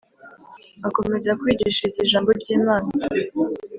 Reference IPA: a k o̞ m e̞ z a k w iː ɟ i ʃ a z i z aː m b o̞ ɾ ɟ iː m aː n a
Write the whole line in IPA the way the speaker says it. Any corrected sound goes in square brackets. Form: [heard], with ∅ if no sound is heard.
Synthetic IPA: a k o̞ m e̞ z a k w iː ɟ i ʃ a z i [ʒ] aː m b o̞ ɾ ɟ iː m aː n a